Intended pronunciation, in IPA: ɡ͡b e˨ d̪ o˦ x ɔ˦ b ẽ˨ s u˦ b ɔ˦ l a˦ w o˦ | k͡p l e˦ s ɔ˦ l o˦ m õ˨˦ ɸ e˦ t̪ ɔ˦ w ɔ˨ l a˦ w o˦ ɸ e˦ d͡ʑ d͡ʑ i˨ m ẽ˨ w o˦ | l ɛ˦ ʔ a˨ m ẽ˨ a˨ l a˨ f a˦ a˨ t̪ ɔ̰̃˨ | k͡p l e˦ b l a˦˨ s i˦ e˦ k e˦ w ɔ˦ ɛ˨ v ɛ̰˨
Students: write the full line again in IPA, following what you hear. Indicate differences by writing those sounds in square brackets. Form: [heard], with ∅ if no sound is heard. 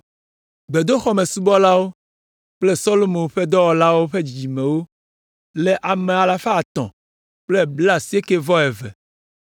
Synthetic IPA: ɡ͡b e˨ d̪ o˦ x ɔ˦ [m] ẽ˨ s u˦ b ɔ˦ l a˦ w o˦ | k͡p l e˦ s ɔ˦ l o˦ m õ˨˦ ɸ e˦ [d̪] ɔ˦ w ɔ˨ l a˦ w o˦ ɸ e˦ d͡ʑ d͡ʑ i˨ m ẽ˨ w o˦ | l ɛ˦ ʔ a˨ m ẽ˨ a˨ l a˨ f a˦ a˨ t̪ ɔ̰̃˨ | k͡p l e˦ b l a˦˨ s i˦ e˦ k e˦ [v] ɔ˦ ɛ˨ v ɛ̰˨

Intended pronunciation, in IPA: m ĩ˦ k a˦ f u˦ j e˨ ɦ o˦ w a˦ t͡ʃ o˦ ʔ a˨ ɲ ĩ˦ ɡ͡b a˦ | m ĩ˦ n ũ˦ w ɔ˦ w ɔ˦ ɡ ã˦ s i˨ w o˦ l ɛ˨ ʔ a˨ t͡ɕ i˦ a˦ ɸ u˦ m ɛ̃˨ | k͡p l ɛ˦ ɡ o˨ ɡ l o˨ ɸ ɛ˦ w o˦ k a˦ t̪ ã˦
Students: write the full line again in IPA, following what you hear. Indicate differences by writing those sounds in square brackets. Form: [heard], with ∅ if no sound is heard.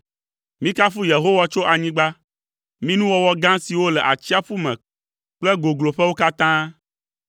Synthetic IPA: m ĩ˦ k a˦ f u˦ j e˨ ɦ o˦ w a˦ t͡ʃ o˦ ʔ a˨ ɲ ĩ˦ ɡ͡b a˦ | m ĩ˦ n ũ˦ w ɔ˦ w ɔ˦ ɡ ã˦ s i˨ w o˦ l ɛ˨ ʔ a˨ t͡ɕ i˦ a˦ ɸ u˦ m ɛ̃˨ | k͡p l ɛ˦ ɡ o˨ ɡ l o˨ ɸ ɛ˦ w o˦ k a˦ t̪ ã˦

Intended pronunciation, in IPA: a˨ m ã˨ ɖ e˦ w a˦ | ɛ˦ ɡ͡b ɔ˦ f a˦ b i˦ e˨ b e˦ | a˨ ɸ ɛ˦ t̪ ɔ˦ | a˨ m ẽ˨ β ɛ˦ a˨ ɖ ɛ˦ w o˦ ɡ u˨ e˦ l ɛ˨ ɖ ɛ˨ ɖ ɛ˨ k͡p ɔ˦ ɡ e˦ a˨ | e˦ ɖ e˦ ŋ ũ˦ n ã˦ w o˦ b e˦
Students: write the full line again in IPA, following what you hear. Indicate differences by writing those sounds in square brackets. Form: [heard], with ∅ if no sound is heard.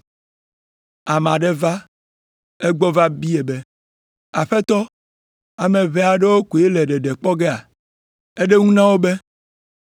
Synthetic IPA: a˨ m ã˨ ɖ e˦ [v] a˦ | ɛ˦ ɡ͡b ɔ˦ [v] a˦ b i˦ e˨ b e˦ | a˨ ɸ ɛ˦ t̪ ɔ˦ | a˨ m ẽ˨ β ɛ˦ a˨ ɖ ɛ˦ w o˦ [k] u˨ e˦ l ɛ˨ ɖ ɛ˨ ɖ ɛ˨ k͡p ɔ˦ ɡ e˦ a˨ | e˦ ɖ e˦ ŋ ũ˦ n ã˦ w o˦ b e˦

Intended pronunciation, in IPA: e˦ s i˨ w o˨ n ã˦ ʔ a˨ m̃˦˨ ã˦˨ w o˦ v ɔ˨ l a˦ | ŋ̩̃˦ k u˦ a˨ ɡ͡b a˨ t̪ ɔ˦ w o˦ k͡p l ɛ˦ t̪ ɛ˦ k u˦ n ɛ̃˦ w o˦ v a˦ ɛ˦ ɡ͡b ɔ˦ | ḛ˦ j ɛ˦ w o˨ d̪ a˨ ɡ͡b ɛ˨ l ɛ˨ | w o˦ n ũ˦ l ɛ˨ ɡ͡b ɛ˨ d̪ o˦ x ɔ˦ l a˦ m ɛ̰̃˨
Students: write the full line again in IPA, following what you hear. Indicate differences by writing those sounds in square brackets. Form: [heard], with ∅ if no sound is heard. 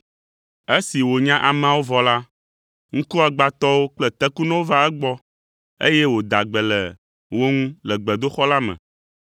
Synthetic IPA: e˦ s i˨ w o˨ [ɲ] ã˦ ʔ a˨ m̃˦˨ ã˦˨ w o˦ v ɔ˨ l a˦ | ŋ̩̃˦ k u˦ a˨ ɡ͡b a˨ t̪ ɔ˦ w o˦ k͡p l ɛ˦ t̪ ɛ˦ k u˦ n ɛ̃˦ w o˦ v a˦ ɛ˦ ɡ͡b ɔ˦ | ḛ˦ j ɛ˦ w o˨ d̪ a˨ ɡ͡b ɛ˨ l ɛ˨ | w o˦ [ŋ] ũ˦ l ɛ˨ ɡ͡b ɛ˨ d̪ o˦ x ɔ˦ l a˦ m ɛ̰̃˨

